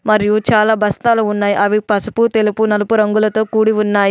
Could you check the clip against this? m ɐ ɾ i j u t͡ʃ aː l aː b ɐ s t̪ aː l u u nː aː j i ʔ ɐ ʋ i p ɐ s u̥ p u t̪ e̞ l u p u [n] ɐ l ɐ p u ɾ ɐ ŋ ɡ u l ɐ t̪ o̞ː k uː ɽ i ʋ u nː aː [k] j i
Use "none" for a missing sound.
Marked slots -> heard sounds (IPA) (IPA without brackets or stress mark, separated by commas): n, none